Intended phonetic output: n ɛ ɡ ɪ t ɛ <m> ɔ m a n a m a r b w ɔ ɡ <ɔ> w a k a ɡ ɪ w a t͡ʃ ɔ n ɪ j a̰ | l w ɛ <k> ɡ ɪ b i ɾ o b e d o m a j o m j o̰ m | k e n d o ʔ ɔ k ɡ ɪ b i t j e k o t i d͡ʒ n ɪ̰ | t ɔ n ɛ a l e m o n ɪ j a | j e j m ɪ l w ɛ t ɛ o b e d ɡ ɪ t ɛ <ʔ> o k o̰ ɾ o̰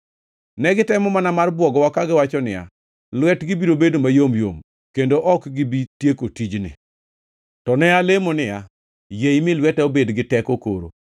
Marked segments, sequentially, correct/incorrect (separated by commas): correct, correct, incorrect, incorrect